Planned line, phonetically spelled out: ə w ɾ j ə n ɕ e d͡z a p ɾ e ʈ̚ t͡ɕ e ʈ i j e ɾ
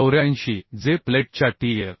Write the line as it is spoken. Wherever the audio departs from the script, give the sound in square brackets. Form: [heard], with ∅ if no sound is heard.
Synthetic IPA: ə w ɾ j [a] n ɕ [i] d͡z [e] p [l] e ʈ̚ t͡ɕ [a] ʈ i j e ɾ